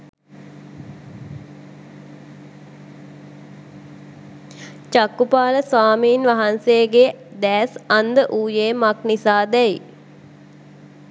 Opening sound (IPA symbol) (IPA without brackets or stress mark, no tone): t͡ʃ